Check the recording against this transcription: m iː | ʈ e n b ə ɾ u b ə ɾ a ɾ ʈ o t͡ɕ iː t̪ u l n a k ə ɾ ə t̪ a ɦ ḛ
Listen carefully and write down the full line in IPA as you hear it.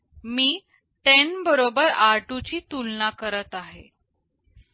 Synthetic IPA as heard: m iː | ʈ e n b ə ɾ o b ə ɾ a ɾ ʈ u t͡ɕ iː t̪ u l n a k ə ɾ ə t̪ a ɦ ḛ